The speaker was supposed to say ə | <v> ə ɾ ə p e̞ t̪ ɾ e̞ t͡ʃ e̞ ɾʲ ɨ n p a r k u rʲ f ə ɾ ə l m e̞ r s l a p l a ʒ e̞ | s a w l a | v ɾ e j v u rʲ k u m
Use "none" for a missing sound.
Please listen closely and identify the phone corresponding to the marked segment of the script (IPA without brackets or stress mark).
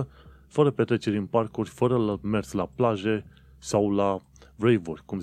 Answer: f